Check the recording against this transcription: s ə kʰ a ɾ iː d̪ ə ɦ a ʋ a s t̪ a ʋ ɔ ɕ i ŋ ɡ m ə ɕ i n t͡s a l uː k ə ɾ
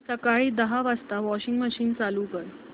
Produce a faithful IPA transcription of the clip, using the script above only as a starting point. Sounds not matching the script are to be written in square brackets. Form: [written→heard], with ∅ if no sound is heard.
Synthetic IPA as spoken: s ə [kʰ→k] a [ɾ→ɭ] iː d̪ ə ɦ a ʋ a s t̪ a ʋ ɔ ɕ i ŋ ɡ m ə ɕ [i→iː] n t͡s a l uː k ə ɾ

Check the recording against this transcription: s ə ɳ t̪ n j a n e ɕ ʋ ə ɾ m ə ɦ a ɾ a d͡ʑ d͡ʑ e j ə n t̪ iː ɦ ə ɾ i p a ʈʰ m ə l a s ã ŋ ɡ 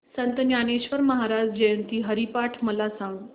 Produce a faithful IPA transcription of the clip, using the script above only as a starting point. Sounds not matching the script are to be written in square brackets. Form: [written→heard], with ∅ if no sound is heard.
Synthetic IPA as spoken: s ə [ɳ→n] t̪ n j a n e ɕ ʋ ə ɾ m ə ɦ a ɾ a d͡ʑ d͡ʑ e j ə n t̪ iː ɦ ə ɾ i p a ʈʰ m ə l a s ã ŋ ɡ

